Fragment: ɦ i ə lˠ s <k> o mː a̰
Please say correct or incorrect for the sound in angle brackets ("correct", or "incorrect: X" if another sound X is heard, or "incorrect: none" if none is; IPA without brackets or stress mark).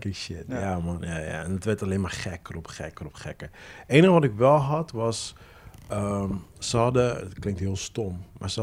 incorrect: t